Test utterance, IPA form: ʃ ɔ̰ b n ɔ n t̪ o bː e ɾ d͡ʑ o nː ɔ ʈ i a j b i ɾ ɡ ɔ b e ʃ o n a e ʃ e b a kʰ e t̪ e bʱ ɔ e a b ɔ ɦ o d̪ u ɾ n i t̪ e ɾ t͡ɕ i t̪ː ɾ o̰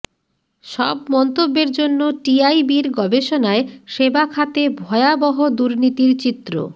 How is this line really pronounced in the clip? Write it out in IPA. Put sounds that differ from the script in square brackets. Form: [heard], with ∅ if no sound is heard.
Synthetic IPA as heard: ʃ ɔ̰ b [m] ɔ n t̪ o bː e ɾ d͡ʑ o nː [o] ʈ i a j b i ɾ ɡ ɔ b e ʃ o n a e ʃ e b a kʰ [a] t̪ e bʱ ɔ e a b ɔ ɦ o d̪ u ɾ n i t̪ [i] ɾ t͡ɕ i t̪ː ɾ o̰